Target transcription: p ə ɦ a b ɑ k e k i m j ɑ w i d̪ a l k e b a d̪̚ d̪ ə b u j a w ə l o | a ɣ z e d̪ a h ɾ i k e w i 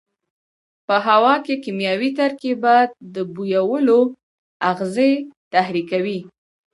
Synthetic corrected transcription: p ə ɦ a w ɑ k e k i m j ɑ w i t̪ a ɾ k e b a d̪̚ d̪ ə b u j a w ə l o | a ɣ z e t̪ a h ɾ i k a w i